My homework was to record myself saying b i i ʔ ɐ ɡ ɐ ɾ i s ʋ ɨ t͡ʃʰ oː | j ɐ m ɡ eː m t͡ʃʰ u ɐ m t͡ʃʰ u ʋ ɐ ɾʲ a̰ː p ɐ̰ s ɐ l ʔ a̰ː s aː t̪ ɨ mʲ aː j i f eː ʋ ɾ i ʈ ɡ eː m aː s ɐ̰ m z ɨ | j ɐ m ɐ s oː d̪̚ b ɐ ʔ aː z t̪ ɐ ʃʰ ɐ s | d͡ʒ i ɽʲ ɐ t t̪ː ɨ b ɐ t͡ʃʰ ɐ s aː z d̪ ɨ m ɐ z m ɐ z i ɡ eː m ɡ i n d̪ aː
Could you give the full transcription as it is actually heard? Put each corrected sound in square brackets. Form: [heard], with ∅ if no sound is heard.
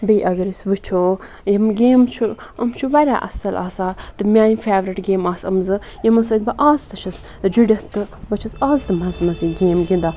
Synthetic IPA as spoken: b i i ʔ ɐ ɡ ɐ ɾ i s ʋ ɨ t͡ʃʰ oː | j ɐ m ɡ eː m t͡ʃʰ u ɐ m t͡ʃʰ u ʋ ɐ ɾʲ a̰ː [ʔ] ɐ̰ s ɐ l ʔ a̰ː s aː t̪ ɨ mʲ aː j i f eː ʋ ɾ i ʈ ɡ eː m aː s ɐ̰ m z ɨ | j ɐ m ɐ s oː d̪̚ b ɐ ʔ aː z t̪ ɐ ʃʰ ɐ s | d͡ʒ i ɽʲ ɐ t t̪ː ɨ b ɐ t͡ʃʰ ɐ s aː z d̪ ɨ m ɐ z m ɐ z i ɡ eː m ɡ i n d̪ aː